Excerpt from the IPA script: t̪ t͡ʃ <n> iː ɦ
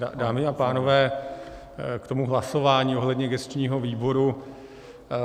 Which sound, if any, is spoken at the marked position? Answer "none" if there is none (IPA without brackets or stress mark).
ɲ